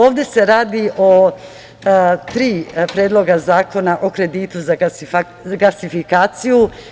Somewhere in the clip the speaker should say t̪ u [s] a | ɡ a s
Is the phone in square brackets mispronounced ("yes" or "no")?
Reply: yes